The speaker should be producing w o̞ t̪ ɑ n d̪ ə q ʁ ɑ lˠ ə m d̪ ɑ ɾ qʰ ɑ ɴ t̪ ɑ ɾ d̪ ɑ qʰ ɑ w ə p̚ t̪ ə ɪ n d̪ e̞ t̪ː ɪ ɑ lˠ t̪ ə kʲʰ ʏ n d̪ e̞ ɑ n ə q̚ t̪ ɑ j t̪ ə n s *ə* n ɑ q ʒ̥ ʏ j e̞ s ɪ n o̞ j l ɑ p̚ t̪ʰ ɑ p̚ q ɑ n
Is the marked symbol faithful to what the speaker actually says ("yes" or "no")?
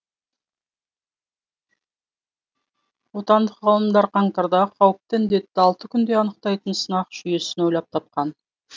yes